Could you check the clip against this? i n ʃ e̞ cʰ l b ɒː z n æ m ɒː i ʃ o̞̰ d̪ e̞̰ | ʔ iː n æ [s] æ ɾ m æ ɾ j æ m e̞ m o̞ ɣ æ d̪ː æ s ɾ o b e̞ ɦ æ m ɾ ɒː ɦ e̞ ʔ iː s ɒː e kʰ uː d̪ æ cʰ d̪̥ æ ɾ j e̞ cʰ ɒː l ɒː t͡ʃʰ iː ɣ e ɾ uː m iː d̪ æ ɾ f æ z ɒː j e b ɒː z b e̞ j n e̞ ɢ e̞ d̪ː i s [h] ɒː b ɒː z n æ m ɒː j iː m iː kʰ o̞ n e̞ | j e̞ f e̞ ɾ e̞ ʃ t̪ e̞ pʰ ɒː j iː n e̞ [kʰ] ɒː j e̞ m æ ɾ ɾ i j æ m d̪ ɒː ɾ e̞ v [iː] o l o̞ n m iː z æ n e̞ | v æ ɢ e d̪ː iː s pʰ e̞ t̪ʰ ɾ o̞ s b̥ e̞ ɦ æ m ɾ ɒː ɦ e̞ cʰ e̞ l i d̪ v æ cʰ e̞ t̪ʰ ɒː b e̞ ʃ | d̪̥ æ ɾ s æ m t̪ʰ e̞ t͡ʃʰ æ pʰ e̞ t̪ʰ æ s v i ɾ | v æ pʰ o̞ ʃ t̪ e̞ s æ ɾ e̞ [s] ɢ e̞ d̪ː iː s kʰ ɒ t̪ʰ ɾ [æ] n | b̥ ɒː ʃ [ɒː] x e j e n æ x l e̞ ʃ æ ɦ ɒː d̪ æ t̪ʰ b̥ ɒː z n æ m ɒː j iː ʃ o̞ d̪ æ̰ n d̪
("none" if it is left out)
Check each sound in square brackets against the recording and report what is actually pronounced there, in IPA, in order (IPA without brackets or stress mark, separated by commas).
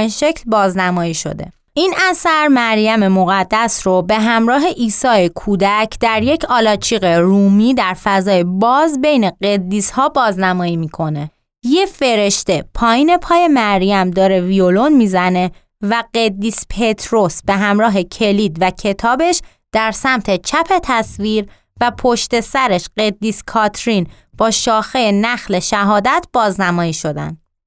s, h, pʰ, i, ʃ, i, ɒː